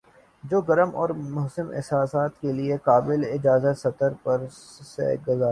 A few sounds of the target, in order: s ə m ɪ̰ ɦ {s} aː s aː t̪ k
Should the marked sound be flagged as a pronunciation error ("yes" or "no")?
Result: no